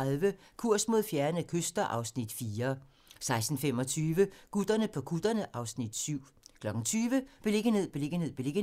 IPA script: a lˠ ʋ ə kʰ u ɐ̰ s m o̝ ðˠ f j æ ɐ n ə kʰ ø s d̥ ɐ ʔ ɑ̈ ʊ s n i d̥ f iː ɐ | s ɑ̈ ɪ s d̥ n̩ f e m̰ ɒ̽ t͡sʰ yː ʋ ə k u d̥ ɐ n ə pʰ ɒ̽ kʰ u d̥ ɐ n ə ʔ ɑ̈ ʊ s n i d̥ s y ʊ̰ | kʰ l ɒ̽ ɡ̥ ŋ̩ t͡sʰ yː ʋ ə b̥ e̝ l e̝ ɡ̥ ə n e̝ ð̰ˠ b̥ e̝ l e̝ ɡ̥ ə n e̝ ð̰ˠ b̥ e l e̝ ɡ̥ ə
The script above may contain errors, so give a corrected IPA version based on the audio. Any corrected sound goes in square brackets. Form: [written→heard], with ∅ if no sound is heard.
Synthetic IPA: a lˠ ʋ ə kʰ u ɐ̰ s m o̝ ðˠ f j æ ɐ n ə kʰ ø s d̥ ɐ ʔ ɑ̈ ʊ s n i d̥ f iː ɐ | s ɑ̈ ɪ s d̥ n̩ f e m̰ ɒ̽ t͡sʰ yː ʋ ə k u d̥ ɐ n ə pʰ ɒ̽ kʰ u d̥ ɐ n ə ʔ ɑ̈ ʊ s n i d̥ s y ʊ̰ | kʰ l ɒ̽ ɡ̥ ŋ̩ t͡sʰ yː ʋ ə b̥ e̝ l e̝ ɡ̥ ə n e̝ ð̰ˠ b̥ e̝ l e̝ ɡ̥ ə n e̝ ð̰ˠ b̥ e l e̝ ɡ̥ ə